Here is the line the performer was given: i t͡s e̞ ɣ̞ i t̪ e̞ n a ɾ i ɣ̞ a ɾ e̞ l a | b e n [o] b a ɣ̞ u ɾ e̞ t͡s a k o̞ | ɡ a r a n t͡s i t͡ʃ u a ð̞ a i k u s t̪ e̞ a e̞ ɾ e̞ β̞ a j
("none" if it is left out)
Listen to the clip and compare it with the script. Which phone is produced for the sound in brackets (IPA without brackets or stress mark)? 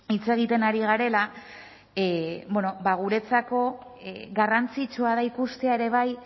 o